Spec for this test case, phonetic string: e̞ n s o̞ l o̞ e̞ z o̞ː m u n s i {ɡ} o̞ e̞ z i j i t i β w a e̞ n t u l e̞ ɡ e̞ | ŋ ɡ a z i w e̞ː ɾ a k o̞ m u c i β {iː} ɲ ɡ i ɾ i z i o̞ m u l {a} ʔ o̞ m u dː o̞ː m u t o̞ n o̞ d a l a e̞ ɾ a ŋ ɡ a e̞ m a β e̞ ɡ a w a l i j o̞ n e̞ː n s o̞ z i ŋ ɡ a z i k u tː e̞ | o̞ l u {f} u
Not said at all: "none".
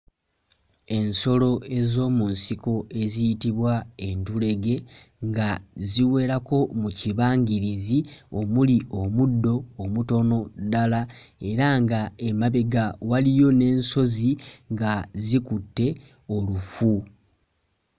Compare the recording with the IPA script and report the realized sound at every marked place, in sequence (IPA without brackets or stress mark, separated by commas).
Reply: k, aː, i, f